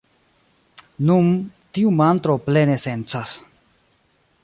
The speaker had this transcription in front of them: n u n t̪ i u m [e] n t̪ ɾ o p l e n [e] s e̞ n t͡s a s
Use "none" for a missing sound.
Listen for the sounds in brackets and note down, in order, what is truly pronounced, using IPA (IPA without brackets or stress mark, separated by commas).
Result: a, e